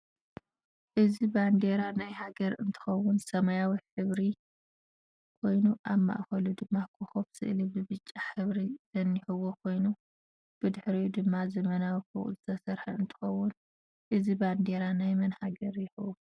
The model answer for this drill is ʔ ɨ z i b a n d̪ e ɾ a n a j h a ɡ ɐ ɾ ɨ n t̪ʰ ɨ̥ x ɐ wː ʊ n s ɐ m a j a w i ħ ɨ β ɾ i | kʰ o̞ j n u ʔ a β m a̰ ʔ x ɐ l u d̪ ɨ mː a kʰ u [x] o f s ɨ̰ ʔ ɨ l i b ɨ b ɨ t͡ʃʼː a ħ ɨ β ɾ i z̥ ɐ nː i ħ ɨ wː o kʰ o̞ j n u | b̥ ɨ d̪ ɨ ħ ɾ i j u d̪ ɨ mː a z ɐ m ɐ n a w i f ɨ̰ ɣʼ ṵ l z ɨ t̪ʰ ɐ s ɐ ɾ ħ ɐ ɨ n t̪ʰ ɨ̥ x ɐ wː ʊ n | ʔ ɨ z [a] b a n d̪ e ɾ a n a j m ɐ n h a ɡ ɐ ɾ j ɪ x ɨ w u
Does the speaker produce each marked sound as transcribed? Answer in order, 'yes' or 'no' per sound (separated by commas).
yes, no